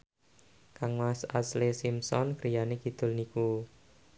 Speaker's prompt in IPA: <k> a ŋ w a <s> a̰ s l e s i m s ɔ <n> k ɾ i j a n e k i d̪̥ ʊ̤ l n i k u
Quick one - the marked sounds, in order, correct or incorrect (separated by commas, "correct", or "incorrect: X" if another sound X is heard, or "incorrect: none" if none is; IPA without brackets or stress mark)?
correct, correct, correct